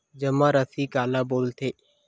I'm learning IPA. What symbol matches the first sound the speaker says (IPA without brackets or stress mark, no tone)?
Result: d͡ʒ